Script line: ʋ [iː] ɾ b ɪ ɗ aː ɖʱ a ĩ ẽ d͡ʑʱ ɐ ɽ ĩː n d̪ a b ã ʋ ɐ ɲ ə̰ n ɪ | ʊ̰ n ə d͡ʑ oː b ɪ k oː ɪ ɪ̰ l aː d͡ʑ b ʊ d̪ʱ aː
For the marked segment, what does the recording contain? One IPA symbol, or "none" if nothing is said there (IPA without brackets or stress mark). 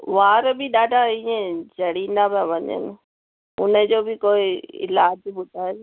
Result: aː